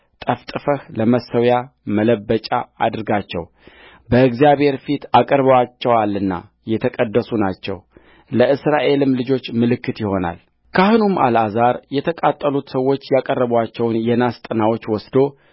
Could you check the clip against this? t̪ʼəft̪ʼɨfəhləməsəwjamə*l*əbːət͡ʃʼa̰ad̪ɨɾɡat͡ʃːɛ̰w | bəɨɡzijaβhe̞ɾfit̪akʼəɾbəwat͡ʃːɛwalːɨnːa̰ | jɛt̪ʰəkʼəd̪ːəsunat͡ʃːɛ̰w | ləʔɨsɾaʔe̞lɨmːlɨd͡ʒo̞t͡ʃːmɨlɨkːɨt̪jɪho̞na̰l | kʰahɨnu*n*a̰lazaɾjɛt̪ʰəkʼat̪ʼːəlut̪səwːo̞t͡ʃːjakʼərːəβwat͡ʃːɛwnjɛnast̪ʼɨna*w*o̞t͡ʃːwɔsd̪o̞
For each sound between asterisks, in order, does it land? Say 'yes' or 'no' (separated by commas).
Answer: yes, no, yes